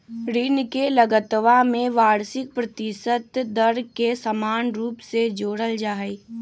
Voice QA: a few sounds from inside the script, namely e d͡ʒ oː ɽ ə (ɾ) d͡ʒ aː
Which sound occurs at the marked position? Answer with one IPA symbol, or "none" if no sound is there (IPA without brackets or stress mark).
l